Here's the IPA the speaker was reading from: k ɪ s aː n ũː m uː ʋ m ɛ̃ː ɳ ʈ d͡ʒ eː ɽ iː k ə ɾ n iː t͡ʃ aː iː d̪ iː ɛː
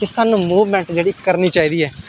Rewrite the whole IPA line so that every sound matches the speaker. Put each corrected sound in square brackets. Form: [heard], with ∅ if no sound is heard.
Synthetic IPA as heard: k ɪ s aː n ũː m uː ʋ m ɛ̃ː ɳ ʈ d͡ʒ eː ɽ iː k ə ɾ n iː t͡ʃ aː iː d̪ iː ɛː